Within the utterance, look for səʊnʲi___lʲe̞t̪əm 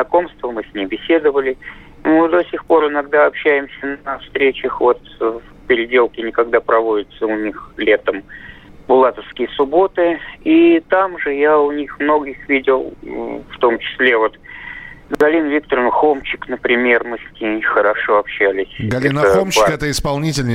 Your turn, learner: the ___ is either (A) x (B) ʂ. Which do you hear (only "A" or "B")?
A